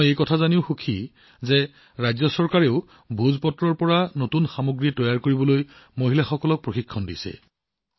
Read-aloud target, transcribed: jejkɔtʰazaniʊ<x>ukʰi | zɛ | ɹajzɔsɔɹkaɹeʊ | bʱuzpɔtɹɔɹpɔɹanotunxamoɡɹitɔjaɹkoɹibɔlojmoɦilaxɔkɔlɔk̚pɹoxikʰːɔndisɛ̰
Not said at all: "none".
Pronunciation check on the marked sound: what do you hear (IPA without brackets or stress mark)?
x